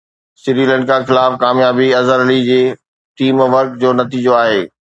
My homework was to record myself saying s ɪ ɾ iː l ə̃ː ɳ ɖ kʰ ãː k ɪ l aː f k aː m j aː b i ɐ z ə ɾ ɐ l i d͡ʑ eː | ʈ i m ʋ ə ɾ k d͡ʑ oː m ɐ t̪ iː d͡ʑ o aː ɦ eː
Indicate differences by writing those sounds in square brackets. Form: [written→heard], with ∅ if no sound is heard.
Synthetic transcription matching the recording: s ɪ ɾ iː l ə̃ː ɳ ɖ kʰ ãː [k→x] ɪ l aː f k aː m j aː b i ɐ z ə ɾ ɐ l i d͡ʑ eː | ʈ [i→iː] m ʋ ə ɾ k d͡ʑ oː [m→n] ɐ t̪ iː d͡ʑ o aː ɦ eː